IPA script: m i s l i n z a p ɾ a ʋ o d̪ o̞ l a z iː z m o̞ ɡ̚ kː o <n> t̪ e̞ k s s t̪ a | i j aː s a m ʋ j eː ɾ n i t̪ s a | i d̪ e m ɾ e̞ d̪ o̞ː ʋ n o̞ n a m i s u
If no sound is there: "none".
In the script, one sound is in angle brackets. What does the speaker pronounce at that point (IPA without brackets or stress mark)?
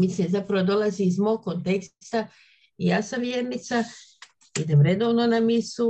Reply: n